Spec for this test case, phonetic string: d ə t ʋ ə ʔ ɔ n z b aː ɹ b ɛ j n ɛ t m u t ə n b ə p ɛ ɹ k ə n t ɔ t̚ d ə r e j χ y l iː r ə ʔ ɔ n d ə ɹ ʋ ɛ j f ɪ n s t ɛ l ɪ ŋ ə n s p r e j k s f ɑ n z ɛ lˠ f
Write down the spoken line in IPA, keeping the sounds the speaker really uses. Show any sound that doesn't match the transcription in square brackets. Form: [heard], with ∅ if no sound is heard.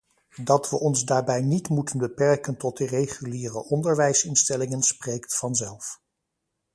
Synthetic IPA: d [ɑ] t ʋ ə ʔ ɔ n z [d] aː ɹ b ɛ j n [i] t m u t ə n b ə p ɛ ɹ k ə n t ɔ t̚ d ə r e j χ y l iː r ə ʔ ɔ n d ə ɹ ʋ ɛ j [s] ɪ n s t ɛ l ɪ ŋ ə n s p r e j k [t] f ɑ n z ɛ lˠ f